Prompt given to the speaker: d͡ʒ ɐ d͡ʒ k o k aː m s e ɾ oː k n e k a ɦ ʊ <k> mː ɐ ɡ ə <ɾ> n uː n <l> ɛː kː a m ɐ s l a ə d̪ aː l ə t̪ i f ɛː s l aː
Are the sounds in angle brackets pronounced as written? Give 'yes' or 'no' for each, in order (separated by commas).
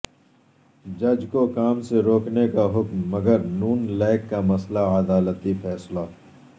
yes, yes, yes